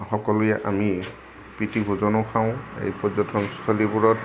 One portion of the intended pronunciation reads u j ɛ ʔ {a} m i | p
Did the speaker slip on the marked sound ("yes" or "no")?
no